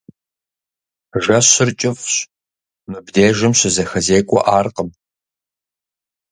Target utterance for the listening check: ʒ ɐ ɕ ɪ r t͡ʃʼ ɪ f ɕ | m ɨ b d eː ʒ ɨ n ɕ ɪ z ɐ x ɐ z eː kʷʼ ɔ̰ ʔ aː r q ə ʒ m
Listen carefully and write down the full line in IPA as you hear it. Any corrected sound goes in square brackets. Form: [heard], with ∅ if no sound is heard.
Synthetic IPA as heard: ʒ ɐ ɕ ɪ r t͡ʃʼ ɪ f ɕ | m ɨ b d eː ʒ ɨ [m] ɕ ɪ z ɐ x ɐ z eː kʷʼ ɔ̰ ʔ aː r q ə [∅] m